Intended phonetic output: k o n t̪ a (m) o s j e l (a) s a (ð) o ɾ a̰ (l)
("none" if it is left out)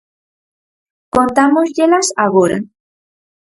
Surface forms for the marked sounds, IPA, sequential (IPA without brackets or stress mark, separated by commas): m, a, ɣ, none